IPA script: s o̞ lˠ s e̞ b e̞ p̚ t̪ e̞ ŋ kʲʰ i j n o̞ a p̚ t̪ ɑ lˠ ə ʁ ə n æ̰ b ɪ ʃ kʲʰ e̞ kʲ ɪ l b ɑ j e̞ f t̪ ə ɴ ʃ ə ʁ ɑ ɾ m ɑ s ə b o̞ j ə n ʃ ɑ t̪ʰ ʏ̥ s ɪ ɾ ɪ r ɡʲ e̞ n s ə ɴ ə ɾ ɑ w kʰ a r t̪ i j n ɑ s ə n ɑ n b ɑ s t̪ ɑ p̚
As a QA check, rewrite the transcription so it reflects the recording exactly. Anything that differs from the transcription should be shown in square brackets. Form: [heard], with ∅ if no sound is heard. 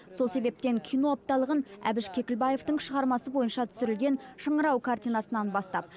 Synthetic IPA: s o̞ lˠ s e̞ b e̞ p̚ t̪ e̞ ŋ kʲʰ i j n o̞ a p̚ t̪ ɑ lˠ ə ʁ ə n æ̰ b ɪ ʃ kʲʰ e̞ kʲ ɪ l b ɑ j e̞ f t̪ ə ɴ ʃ ə ʁ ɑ ɾ m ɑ s ə b o̞ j ə n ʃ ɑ t̪ʰ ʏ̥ s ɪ ɾ ɪ [l] ɡʲ e̞ n [ʃ] ə ɴ ə ɾ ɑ w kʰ a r t̪ i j n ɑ s ə n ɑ n b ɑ s t̪ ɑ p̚